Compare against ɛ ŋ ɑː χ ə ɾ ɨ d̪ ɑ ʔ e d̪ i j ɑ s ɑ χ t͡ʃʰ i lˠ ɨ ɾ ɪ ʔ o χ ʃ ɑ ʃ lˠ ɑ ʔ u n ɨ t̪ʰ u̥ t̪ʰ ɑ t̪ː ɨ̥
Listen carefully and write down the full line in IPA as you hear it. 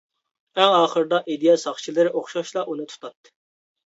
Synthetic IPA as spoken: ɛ ŋ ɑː χ ə ɾ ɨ d̪ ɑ ʔ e d̪ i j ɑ s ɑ χ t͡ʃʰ i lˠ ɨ ɾ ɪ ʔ o χ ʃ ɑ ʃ lˠ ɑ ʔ u n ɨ t̪ʰ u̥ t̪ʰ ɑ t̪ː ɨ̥